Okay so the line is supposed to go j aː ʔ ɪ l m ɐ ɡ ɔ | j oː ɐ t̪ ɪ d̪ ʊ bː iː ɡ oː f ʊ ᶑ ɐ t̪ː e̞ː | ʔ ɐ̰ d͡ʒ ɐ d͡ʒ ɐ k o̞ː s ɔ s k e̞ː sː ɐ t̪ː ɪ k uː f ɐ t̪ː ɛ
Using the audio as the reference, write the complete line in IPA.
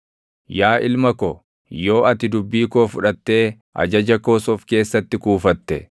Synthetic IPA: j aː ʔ ɪ l m ɐ k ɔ | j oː ɐ t̪ ɪ d̪ ʊ bː iː k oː f ʊ ᶑ ɐ t̪ː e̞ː | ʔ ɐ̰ d͡ʒ ɐ d͡ʒ ɐ k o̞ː s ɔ f k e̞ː sː ɐ t̪ː ɪ k uː f ɐ t̪ː ɛ

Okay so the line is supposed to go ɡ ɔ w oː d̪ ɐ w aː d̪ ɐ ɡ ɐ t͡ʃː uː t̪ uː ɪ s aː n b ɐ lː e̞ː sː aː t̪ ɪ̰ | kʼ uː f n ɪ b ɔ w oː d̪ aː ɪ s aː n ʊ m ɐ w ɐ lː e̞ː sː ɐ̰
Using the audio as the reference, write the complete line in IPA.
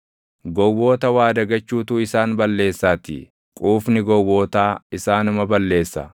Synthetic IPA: ɡ ɔ w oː t̪ ɐ w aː d̪ ɐ ɡ ɐ t͡ʃː uː t̪ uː ɪ s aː n b ɐ lː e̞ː sː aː t̪ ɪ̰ | kʼ uː f n ɪ ɡ ɔ w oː t̪ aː ɪ s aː n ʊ m ɐ b ɐ lː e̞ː sː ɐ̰

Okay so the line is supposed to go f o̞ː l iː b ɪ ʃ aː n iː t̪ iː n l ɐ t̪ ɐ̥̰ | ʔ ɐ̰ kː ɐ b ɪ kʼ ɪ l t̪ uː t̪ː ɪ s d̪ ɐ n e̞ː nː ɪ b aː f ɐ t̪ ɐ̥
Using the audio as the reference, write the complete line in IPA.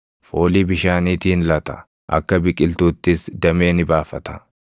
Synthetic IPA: f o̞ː l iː b ɪ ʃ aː n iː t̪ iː n l ɐ t̪ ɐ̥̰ | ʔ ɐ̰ kː ɐ b ɪ kʼ ɪ l t̪ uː t̪ː ɪ s d̪ ɐ m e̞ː n ɪ b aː f ɐ t̪ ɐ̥

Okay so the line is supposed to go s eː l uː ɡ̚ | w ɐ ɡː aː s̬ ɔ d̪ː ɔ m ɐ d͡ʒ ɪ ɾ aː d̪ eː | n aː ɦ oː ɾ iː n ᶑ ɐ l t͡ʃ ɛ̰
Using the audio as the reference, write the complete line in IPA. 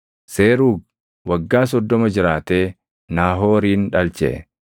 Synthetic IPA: s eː ɾ uː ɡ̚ | w ɐ ɡː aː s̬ ɔ d̪ː ɔ m ɐ d͡ʒ ɪ ɾ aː t̪ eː | n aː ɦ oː ɾ iː n ᶑ ɐ l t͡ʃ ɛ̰

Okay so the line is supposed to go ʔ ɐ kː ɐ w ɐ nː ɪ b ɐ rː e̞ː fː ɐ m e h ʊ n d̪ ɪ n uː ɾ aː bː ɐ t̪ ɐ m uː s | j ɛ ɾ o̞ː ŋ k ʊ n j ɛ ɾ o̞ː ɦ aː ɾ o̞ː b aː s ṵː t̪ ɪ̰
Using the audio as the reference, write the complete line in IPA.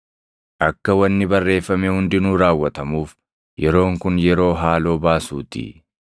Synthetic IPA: ʔ ɐ kː ɐ w ɐ nː ɪ b ɐ rː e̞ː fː ɐ m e h ʊ n d̪ ɪ n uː ɾ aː wː ɐ t̪ ɐ m uː f | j ɛ ɾ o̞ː ŋ k ʊ n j ɛ ɾ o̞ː ɦ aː l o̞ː b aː s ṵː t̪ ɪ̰

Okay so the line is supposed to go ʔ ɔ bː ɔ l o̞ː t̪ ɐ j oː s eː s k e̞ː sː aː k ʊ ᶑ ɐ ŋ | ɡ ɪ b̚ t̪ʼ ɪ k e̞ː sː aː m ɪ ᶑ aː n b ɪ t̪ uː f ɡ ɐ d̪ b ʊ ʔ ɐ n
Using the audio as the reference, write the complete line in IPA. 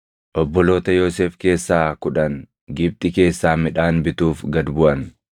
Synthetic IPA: ʔ ɔ bː ɔ l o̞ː t̪ ɐ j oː s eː f k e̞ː sː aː k ʊ ᶑ ɐ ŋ | ɡ ɪ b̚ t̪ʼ ɪ k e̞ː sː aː m ɪ ᶑ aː n b ɪ t̪ uː f ɡ ɐ d̪ b ʊ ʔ ɐ n

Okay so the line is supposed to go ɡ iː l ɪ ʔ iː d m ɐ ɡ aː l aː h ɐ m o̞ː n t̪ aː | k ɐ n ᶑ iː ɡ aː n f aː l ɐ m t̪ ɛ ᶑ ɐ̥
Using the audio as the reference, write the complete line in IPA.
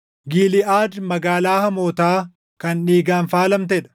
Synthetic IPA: ɡ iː l ɪ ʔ aː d m ɐ ɡ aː l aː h ɐ m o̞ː t̪ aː | k ɐ n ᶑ iː ɡ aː n f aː l ɐ m t̪ ɛ ᶑ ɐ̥

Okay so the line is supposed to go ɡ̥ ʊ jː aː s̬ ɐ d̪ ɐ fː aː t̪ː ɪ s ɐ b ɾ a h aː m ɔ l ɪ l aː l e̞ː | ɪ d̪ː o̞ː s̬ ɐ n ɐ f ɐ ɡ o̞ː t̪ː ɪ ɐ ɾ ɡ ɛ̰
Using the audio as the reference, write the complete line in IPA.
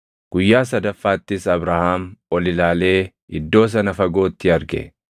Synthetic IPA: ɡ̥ ʊ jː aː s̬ ɐ d̪ ɐ fː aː t̪ː ɪ s ɐ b ɾ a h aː m ɔ l ɪ l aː l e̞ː | ɪ d̪ː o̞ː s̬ ɐ n ɐ f ɐ ɡ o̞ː t̪ː ɪ ɐ ɾ ɡ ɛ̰

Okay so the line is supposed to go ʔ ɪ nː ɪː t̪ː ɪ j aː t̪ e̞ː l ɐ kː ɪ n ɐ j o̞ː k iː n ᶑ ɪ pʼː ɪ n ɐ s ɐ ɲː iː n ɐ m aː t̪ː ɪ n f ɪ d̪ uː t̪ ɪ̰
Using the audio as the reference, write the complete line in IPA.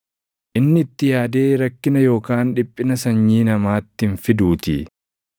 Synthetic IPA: ʔ ɪ nː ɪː t̪ː ɪ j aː d̪ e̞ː ɾ ɐ kː ɪ n ɐ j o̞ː k aː n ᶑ ɪ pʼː ɪ n ɐ s ɐ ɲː iː n ɐ m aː t̪ː ɪ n f ɪ d̪ uː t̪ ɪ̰

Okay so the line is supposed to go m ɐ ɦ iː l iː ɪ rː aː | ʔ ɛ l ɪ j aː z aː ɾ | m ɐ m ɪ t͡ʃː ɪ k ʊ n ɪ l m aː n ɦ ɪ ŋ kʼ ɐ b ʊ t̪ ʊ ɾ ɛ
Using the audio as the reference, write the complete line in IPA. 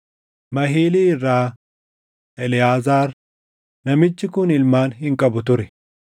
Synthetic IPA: m ɐ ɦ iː l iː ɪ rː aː | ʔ ɛ l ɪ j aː z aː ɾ | n ɐ m ɪ t͡ʃː ɪ k ʊ n ɪ l m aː n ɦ ɪ ŋ kʼ ɐ b ʊ t̪ ʊ ɾ ɛ

